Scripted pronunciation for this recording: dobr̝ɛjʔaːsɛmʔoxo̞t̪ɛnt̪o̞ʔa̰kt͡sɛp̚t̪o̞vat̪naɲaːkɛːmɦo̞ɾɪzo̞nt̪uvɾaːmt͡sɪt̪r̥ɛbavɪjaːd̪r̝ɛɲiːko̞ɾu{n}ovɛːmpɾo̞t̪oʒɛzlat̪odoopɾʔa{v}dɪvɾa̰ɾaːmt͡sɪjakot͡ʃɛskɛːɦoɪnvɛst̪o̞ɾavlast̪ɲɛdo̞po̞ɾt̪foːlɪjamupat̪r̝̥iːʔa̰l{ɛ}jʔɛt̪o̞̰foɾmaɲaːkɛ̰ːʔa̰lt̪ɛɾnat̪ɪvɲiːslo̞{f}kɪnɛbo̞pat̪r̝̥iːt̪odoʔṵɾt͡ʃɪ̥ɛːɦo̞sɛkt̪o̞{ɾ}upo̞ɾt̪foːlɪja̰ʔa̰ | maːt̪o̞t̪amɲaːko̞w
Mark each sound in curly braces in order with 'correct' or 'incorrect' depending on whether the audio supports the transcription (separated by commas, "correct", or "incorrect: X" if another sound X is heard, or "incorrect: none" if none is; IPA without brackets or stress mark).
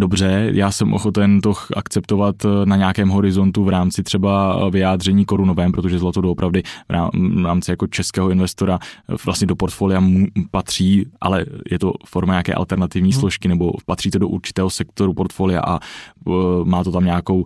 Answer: correct, correct, correct, incorrect: ʃ, correct